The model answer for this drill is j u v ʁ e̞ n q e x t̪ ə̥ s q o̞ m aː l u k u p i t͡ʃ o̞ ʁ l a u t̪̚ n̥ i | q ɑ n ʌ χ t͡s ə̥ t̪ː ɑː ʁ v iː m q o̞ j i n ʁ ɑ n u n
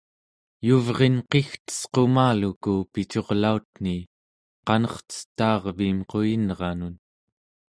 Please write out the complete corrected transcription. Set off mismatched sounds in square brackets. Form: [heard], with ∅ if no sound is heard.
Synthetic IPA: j u v ʁ e̞ n q e x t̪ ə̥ s q o̞ m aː l u k u p i t͡ʃ o̞ ʁ l a u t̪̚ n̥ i | q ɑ n ʌ χ t͡s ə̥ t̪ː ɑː ʁ v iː m q o̞ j i n ʁ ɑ n u n

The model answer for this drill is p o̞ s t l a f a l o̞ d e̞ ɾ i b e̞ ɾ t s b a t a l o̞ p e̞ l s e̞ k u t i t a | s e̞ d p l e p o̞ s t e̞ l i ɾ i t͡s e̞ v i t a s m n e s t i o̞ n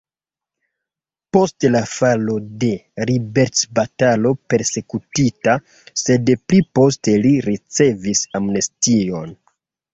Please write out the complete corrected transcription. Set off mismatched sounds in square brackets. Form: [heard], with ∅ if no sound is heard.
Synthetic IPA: p o̞ s t l a f a l o̞ d e̞ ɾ i b e̞ ɾ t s b a t a l o̞ p e̞ [ɾ] s e̞ k u t i t a | s e̞ d p l [i] p o̞ s t e̞ l i ɾ i t͡s e̞ v i [s] a [∅] m n e s t i o̞ n

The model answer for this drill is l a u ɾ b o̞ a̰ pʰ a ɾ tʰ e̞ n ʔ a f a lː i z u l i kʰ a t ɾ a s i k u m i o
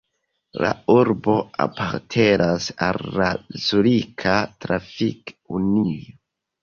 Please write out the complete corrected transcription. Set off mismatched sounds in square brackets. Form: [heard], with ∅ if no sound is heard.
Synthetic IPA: l a u ɾ b o̞ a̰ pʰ a ɾ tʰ e̞ n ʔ a [s] a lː [a] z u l i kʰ a t ɾ a [f] i k u [n] i o

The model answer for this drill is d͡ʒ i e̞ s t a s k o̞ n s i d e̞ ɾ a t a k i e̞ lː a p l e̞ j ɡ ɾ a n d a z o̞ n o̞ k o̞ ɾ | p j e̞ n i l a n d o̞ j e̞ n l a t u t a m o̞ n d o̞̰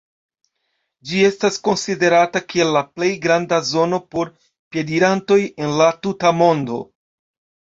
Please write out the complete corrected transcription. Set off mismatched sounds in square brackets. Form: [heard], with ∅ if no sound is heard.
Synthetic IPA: d͡ʒ i e̞ s t a s k o̞ n s i d e̞ ɾ a t a k i e̞ lː a p l e̞ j ɡ ɾ a n d a z o̞ n o̞ [p] o̞ ɾ | p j e̞ [d] i [ɾ] a n [t] o̞ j e̞ n l a t u t a m o̞ n d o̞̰

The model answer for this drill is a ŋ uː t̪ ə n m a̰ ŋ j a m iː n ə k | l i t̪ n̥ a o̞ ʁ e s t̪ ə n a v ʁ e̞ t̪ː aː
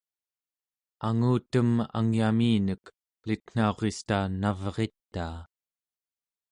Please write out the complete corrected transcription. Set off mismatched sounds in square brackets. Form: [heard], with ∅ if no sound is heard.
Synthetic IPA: a ŋ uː t̪ ə [∅] m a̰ ŋ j a m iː n ə k | l i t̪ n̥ a o̞ ʁ e s t̪ [a] n a v ʁ e̞ t̪ː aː

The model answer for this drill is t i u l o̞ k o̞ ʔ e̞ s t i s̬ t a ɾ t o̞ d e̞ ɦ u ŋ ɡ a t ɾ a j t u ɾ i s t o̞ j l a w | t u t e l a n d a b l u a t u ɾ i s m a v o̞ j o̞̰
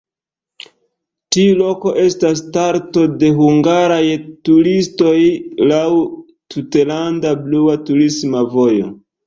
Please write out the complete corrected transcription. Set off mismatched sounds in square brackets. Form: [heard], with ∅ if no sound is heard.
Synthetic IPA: t i u l o̞ k o̞ ʔ e̞ s t [a] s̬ t a ɾ t o̞ d e̞ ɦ u ŋ ɡ a [∅] ɾ a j t u ɾ i s t o̞ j l a w | t u t e l a n d a b l u a t u ɾ i s m a v o̞ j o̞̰

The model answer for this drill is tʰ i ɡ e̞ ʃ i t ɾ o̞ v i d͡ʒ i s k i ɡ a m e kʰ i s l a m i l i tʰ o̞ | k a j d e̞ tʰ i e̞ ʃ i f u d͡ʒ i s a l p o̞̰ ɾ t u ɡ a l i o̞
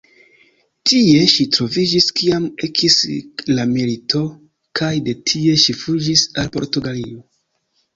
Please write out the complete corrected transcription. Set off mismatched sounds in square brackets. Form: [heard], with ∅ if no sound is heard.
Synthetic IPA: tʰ i [∅] e̞ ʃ i t ɾ o̞ v i d͡ʒ i s k i [∅] a m e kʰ i s l a m i l i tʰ o̞ | k a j d e̞ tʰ i e̞ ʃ i f u d͡ʒ i s a l p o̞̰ ɾ t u ɡ a l i o̞

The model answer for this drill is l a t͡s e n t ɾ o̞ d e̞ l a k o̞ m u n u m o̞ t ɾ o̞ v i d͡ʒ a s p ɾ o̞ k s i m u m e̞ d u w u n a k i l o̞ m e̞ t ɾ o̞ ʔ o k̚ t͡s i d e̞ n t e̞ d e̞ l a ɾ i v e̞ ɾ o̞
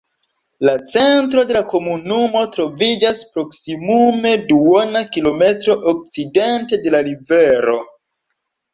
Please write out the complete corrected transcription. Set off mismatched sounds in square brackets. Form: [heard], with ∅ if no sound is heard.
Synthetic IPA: l a t͡s e n t ɾ o̞ d e̞ l a k o̞ m u n u m o̞ t ɾ o̞ v i d͡ʒ a s p ɾ o̞ k s i m u m e̞ d u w [o] n a k i l o̞ m e̞ t ɾ o̞ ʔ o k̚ t͡s i d e̞ n t e̞ d e̞ l a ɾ i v e̞ ɾ o̞

